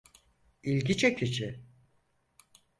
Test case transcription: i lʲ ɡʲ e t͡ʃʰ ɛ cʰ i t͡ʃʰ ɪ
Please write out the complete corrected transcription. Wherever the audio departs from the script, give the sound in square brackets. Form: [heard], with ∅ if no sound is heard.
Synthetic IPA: i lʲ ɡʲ [i] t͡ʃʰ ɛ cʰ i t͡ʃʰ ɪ